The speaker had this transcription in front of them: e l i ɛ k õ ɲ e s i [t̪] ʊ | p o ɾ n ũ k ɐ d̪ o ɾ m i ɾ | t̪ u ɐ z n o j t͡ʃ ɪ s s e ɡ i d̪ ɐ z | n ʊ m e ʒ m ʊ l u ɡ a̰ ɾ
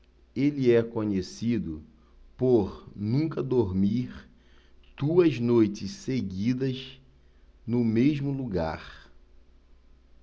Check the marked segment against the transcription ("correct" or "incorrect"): incorrect